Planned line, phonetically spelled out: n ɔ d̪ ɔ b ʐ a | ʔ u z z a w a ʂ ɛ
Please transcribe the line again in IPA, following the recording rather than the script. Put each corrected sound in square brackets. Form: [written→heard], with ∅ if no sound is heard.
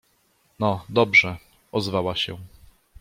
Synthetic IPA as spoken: n ɔ d̪ ɔ b ʐ [a→ɛ] | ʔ [u→ɔ] z [z→v] a w a [ʂ→ɕ] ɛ